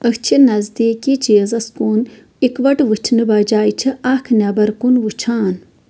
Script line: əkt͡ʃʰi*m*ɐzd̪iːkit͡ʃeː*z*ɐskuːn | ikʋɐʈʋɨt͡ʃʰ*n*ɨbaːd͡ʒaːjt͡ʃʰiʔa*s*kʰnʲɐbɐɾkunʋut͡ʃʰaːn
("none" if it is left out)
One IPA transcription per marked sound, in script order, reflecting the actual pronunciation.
n, z, n, none

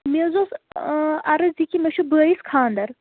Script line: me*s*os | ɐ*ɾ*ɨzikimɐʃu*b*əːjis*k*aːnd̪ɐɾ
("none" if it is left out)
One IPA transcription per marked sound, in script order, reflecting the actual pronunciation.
z, ɾ, b, kʰ

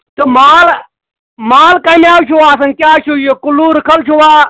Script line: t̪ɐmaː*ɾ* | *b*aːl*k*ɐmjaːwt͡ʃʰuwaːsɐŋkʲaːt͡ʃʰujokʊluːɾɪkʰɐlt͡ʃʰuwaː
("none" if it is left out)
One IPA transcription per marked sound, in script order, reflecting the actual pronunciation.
l, m, k

